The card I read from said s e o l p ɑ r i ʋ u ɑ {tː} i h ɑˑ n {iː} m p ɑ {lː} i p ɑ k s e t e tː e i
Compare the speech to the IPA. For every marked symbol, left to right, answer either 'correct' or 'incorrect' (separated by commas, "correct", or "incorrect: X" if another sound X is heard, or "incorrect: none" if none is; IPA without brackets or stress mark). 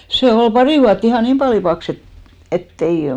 correct, correct, incorrect: l